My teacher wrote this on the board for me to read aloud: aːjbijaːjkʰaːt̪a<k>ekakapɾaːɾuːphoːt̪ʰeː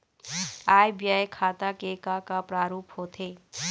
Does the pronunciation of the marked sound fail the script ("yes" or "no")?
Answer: no